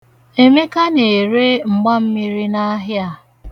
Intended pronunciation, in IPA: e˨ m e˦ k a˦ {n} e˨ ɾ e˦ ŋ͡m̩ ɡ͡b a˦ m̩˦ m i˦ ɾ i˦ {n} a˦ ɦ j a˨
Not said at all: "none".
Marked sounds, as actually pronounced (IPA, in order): n, n

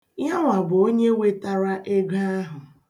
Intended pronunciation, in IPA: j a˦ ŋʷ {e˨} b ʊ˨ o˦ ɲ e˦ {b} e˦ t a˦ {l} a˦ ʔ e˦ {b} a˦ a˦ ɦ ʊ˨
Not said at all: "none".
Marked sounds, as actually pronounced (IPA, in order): a˨, w, ɾ, ɡ

